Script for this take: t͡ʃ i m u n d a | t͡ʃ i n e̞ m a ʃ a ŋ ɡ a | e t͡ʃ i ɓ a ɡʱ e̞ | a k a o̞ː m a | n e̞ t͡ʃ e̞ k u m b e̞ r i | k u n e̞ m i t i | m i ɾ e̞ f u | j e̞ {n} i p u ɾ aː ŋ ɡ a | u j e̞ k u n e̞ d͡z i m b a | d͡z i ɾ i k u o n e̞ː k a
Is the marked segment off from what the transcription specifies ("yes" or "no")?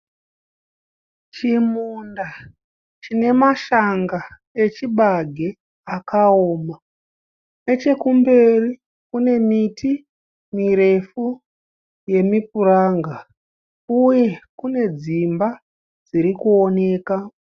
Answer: yes